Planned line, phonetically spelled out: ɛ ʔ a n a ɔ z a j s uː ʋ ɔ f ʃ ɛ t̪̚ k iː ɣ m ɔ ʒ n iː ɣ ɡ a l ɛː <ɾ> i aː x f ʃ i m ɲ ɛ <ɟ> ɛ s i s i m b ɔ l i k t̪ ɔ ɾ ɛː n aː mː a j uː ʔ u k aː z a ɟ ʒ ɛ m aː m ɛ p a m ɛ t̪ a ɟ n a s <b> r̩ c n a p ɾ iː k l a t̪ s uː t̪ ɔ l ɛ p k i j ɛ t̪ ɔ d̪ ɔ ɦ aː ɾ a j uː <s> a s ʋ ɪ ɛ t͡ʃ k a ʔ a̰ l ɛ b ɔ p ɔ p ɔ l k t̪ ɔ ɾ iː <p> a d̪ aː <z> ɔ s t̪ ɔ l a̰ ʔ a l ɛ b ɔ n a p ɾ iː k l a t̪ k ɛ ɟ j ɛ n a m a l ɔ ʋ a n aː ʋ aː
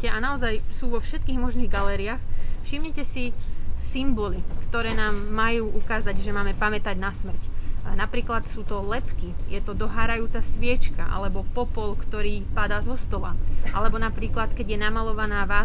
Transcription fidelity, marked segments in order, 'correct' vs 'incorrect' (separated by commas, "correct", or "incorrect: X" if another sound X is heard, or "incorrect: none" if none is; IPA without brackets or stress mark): correct, incorrect: c, incorrect: m, incorrect: t͡s, correct, correct